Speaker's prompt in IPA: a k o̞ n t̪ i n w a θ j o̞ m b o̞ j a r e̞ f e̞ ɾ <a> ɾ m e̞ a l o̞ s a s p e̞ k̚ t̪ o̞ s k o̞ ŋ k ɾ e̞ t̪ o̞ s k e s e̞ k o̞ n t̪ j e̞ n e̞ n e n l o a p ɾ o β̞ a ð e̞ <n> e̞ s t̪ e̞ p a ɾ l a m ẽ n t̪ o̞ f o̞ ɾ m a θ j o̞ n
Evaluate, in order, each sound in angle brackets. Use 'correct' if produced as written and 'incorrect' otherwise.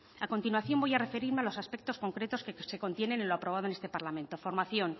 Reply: incorrect: i, correct

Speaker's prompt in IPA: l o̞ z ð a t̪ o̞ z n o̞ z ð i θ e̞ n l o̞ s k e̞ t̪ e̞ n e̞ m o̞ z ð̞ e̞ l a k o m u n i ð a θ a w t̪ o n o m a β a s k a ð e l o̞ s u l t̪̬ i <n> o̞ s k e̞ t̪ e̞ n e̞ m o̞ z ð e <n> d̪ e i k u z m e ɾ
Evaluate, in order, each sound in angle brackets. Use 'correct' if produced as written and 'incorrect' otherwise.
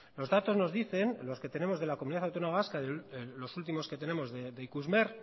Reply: incorrect: m, incorrect: none

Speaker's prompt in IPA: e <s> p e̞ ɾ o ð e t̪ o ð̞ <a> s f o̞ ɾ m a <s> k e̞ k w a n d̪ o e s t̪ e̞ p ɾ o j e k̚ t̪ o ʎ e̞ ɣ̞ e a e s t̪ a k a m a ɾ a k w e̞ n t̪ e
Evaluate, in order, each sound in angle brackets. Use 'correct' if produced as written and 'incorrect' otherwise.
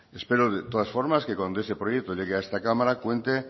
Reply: correct, correct, correct

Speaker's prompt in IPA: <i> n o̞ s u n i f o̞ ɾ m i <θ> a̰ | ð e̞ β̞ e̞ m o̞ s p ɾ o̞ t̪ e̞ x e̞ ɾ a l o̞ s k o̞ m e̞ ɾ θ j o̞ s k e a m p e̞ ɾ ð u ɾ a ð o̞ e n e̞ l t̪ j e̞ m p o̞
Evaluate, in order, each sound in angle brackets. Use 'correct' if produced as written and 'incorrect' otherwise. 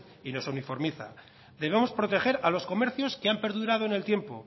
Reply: correct, correct

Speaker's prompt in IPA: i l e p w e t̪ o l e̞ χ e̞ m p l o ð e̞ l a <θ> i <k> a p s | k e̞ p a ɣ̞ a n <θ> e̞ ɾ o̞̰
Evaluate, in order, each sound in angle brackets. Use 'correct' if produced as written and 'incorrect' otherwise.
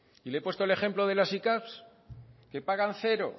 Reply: incorrect: s, correct, correct

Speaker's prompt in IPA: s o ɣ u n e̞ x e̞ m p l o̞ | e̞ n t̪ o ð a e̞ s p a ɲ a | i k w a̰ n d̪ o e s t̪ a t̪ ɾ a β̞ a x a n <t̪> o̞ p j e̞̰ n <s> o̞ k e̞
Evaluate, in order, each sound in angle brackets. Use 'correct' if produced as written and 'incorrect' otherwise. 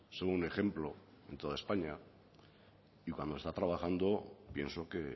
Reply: incorrect: d̪, correct

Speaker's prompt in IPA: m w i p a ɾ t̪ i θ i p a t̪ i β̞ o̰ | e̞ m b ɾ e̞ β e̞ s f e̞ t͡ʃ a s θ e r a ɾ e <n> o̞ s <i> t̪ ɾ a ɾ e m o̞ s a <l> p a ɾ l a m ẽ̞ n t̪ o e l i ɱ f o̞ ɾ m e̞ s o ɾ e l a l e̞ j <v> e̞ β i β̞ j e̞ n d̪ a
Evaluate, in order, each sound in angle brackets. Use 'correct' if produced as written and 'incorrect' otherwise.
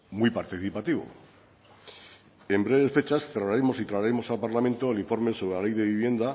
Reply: incorrect: m, correct, correct, incorrect: ð

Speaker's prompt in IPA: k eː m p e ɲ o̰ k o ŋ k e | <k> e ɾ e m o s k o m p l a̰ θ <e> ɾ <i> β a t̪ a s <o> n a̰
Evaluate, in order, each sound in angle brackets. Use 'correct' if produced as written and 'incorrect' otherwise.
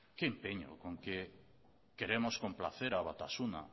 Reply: correct, correct, incorrect: a, incorrect: u

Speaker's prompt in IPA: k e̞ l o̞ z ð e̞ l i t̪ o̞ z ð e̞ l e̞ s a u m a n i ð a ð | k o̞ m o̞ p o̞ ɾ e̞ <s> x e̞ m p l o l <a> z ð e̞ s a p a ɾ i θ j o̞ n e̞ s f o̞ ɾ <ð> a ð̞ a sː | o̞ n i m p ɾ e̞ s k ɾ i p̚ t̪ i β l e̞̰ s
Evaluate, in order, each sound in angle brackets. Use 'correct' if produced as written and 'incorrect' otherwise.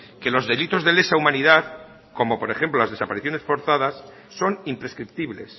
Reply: incorrect: none, correct, incorrect: θ

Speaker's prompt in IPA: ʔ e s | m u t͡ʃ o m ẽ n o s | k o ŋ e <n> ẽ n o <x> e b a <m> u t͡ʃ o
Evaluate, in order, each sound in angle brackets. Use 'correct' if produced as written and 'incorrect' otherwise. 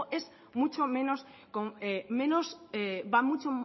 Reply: incorrect: m, incorrect: s, correct

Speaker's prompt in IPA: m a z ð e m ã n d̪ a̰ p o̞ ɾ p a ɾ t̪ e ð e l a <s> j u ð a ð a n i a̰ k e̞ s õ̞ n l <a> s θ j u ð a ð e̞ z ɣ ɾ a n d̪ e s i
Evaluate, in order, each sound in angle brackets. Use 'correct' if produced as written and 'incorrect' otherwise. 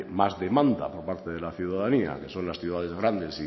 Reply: incorrect: θ, correct

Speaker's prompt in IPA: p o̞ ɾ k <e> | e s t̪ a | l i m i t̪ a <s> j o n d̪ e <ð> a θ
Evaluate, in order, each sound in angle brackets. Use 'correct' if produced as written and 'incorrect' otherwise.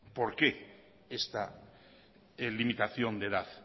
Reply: correct, incorrect: θ, correct

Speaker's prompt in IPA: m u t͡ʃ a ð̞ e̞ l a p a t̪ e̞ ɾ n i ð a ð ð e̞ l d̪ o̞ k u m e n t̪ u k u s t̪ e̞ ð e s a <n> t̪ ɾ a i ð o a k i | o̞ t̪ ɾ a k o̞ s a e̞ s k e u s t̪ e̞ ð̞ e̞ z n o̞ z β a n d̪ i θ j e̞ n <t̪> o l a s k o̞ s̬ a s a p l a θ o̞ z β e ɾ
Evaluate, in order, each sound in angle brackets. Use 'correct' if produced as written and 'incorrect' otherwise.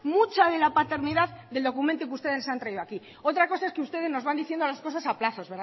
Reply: correct, incorrect: d̪

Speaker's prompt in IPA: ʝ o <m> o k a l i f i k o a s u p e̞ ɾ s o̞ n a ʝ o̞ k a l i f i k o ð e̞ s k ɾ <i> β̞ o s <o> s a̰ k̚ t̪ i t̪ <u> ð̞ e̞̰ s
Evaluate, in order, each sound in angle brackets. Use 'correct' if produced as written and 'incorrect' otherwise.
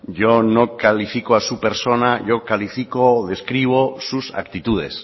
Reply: incorrect: n, correct, incorrect: u, correct

